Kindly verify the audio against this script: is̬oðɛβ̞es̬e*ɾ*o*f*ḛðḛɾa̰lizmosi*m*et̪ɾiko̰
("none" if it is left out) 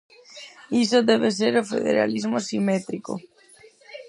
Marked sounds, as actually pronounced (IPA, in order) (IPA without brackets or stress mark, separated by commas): ɾ, f, m